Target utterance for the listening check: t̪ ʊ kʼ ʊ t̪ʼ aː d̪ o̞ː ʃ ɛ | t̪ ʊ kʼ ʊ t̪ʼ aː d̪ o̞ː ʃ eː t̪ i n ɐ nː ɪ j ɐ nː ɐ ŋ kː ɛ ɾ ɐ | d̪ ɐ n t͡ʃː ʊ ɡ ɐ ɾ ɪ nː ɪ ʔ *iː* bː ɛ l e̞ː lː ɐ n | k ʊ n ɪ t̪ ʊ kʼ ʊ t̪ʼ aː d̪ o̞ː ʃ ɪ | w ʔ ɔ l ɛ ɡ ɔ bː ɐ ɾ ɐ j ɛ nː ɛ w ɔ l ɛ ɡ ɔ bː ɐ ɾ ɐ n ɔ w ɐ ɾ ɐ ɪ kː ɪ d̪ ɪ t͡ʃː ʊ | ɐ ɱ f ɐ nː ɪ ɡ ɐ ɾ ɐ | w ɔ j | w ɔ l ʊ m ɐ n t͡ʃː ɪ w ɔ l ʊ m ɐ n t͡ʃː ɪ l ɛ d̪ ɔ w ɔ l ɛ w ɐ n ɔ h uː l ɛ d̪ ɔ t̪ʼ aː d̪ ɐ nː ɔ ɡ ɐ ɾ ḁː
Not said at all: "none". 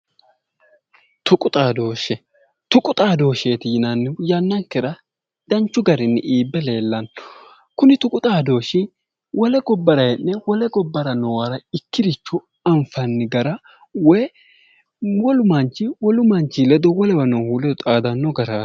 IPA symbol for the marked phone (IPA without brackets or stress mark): iː